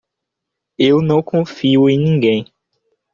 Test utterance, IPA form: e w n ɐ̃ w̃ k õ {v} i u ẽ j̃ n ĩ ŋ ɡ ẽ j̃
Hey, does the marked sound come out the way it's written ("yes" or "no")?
no